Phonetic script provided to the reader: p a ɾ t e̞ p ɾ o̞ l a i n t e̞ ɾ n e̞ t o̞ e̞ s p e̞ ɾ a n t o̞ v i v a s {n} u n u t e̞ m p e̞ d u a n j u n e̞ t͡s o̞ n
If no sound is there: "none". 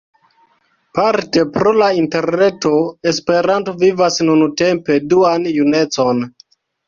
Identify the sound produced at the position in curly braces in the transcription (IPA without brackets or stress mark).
n